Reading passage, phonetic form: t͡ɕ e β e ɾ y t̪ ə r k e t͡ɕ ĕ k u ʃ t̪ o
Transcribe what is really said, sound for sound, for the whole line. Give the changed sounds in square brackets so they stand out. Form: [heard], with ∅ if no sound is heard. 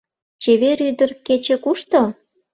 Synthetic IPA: t͡ɕ e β e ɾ y [d̪] ə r k e t͡ɕ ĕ k u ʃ t̪ o